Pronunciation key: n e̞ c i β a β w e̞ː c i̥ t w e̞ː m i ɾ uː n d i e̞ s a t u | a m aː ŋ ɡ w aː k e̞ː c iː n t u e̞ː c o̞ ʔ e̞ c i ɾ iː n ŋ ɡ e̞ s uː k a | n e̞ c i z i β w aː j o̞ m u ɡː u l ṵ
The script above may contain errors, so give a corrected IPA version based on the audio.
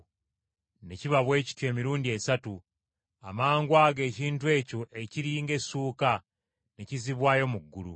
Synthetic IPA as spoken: n e̞ c i β a β w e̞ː c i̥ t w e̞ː m i ɾ uː n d i e̞ s a t u | a m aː ŋ ɡ w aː ɡ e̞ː c iː n t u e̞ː c o̞ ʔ e̞ c i ɾ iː ŋ ɡ e̞ s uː k a | n e̞ c i z i β w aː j o̞ m u ɡː u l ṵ